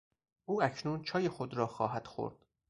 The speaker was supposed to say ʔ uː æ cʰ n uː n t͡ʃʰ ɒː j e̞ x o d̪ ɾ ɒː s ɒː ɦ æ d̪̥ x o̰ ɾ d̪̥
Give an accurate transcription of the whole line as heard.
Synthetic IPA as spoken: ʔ uː æ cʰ n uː n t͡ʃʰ ɒː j e̞ x o d̪ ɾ ɒː x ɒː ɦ æ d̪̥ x o̰ ɾ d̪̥

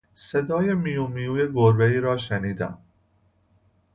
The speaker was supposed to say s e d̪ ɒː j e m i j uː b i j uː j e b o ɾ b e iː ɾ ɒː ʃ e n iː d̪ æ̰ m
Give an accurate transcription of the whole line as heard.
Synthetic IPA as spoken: s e d̪ ɒː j e m i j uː m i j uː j e ɡ o ɾ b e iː ɾ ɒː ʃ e n iː d̪ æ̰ m

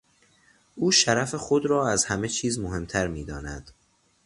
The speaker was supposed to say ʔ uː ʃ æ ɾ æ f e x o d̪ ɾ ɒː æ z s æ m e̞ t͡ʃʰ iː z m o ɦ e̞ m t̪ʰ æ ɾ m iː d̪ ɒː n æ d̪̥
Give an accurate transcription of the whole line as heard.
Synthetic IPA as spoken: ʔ uː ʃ æ ɾ æ f e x o d̪ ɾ ɒː æ z h æ m e̞ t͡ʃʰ iː z m o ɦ e̞ m t̪ʰ æ ɾ m iː d̪ ɒː n æ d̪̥

